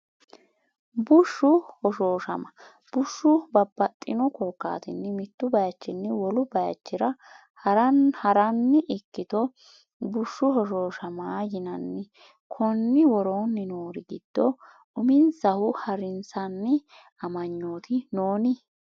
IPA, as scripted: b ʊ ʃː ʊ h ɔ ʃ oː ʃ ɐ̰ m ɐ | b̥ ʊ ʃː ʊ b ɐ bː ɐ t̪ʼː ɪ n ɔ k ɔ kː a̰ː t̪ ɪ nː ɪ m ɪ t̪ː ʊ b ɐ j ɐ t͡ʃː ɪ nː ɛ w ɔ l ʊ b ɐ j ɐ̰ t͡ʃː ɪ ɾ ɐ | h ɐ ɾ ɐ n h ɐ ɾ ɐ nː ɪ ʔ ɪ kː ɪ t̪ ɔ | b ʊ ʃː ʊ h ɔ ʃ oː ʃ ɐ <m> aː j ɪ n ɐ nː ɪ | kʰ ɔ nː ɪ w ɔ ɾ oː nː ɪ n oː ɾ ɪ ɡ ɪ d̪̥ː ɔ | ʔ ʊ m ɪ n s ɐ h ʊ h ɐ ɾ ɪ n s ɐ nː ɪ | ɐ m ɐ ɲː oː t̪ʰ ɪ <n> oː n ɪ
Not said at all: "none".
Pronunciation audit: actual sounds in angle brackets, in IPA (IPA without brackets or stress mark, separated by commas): m, n